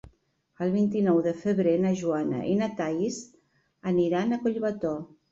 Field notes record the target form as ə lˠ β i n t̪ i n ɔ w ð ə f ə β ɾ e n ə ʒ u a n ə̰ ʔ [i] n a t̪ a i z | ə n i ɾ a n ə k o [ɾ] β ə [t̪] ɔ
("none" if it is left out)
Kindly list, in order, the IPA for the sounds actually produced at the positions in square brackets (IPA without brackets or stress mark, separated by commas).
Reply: i, ʎ, t̪